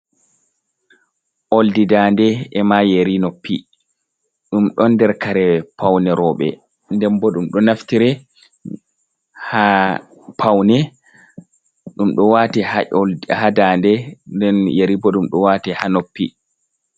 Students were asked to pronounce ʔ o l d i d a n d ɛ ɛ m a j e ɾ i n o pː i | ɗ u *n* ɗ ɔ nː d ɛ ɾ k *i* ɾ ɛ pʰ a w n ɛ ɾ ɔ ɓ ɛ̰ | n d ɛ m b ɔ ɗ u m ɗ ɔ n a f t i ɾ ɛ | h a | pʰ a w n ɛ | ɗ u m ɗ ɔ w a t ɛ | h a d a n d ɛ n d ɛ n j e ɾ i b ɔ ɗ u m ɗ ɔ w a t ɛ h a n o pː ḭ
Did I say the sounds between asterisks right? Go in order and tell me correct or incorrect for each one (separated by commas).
incorrect, incorrect